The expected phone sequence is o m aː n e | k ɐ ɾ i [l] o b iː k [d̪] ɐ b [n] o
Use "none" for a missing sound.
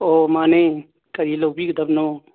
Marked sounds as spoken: l, d̪, n

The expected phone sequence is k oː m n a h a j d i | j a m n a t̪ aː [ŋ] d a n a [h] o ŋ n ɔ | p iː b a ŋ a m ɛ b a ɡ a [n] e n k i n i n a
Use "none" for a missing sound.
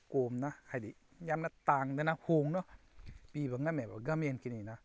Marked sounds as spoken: ŋ, h, m

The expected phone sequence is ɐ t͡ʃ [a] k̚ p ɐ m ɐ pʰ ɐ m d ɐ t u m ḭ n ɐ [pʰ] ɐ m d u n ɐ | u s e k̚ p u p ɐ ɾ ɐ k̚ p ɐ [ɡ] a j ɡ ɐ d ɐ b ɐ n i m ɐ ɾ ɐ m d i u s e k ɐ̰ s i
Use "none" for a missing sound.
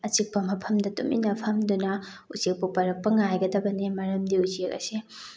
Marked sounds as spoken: i, pʰ, ŋ

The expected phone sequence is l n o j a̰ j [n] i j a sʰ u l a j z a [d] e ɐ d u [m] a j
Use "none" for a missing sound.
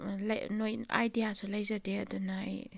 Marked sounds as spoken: d, d, n

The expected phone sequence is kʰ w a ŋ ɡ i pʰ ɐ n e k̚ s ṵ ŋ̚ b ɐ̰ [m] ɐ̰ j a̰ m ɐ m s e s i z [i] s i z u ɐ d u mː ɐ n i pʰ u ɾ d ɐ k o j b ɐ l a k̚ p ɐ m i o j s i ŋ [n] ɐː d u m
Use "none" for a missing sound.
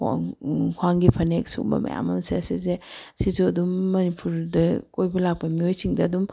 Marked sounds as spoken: m, e, d

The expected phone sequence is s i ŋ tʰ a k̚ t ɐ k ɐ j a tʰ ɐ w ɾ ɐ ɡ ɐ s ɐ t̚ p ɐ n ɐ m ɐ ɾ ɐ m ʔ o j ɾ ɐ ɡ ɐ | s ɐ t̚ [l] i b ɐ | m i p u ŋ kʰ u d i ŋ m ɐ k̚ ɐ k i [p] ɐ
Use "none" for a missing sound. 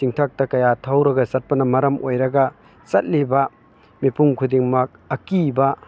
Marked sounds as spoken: l, b

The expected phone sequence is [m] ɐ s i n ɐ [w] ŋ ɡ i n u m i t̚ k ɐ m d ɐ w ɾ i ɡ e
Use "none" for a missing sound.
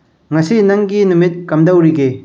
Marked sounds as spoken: ŋ, none

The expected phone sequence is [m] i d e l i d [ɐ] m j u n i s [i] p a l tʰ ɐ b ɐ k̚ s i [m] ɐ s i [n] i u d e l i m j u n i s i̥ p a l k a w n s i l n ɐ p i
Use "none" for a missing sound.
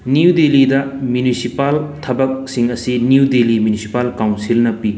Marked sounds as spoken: n, ɐ, i, ŋ, n

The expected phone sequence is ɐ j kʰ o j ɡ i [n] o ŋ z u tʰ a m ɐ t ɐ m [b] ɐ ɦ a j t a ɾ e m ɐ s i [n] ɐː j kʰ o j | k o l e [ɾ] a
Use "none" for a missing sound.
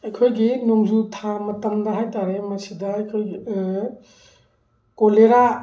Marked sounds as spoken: n, d, d, ɾ

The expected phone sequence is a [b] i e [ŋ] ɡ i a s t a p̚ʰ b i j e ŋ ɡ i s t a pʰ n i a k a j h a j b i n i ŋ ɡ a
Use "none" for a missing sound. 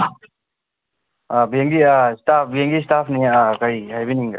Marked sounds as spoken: b, ŋ

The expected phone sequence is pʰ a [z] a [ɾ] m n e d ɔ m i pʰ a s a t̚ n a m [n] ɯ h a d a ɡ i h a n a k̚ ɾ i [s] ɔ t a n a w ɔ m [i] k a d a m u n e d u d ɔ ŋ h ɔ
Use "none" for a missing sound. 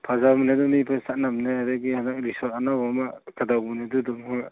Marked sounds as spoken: z, none, n, s, a

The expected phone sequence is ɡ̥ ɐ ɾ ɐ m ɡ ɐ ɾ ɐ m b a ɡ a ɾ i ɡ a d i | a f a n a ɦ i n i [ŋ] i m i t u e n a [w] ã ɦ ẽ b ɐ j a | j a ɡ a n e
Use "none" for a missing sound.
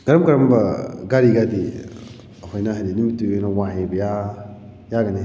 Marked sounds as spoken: n, w

